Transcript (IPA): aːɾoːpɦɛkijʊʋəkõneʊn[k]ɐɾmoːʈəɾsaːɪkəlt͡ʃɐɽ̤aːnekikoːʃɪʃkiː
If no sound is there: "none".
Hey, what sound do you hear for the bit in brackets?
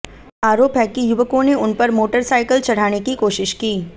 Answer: p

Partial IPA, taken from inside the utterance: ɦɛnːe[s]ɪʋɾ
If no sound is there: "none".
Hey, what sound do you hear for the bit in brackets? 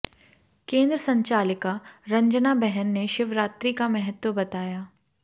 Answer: ʃ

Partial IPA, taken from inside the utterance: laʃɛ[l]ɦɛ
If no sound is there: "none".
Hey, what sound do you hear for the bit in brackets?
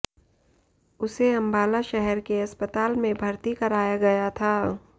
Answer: none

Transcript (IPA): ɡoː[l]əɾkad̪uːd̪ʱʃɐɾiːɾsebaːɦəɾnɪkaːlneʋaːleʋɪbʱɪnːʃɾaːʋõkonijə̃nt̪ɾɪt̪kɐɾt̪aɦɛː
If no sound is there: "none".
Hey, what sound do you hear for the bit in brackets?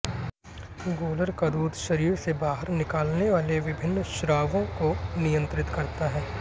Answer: l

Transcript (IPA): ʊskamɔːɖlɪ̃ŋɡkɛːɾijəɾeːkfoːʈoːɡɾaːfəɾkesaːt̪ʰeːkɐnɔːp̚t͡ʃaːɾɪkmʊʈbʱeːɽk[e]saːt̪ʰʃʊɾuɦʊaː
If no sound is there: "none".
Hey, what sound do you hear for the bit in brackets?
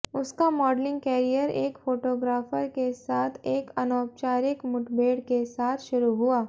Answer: e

